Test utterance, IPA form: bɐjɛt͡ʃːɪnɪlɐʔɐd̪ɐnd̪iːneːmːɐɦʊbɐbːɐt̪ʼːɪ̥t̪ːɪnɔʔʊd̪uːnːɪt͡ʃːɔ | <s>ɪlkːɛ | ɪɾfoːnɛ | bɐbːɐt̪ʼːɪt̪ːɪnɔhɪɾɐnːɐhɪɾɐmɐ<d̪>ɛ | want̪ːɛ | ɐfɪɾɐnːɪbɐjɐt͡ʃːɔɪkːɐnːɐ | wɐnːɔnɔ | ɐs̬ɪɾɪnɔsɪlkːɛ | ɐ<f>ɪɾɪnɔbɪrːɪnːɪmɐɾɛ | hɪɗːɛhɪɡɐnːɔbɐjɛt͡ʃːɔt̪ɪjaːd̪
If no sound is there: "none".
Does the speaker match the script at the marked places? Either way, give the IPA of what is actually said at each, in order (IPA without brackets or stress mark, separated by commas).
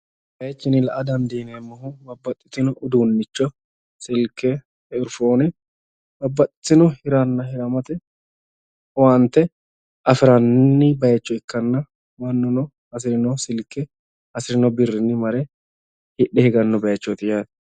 s, t̪, s